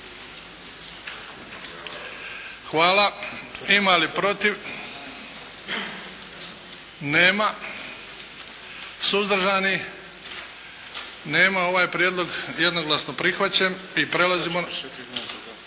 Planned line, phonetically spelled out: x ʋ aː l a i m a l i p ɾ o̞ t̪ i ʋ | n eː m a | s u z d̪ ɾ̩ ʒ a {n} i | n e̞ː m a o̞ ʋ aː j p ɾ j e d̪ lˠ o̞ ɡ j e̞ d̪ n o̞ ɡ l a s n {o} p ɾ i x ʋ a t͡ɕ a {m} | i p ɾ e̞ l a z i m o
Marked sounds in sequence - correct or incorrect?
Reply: correct, correct, correct

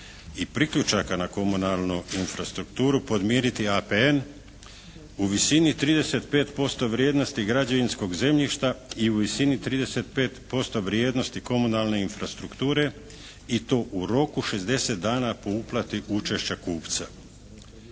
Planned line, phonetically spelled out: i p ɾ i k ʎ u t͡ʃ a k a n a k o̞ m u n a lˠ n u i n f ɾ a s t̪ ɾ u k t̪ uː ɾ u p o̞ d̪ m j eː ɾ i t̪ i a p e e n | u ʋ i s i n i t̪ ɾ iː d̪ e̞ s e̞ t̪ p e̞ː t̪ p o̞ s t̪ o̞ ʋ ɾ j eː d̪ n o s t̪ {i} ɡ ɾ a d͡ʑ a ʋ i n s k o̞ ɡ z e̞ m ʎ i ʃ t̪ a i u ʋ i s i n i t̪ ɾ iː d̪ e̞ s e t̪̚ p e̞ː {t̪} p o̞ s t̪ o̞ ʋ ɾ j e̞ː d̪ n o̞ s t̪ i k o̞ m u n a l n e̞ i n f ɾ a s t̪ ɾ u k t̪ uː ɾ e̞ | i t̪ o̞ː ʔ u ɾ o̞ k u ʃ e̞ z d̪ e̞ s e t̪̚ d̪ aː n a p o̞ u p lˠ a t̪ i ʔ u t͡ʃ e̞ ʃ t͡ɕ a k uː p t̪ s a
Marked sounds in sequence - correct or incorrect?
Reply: correct, correct

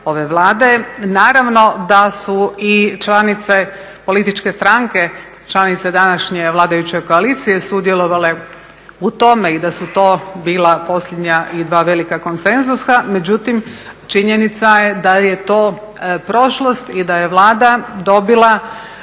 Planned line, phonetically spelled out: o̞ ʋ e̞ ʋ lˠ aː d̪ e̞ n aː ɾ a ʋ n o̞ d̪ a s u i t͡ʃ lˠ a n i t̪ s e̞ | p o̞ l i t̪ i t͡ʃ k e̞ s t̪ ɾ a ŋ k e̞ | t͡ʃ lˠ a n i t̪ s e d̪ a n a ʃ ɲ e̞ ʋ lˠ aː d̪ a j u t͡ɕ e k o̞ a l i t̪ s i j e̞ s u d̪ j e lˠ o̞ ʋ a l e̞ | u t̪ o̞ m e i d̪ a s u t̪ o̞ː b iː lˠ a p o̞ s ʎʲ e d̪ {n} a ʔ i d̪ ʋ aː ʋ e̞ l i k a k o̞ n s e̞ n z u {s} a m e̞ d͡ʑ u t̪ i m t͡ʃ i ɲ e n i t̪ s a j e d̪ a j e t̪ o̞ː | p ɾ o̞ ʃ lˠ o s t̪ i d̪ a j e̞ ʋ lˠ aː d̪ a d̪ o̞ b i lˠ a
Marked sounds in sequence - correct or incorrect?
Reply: incorrect, correct

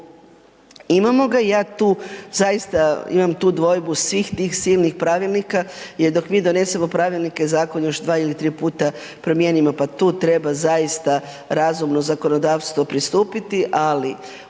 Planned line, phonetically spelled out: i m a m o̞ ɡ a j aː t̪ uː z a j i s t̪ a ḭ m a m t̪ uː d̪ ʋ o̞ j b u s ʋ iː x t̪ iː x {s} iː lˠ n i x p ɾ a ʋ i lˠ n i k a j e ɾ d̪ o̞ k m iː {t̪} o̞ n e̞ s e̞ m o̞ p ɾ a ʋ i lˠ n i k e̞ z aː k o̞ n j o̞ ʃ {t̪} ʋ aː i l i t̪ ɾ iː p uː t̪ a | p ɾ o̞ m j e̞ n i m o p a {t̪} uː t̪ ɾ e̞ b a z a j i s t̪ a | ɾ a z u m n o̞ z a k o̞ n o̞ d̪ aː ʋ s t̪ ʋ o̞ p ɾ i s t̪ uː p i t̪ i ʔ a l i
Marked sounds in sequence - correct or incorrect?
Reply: correct, incorrect, incorrect, correct

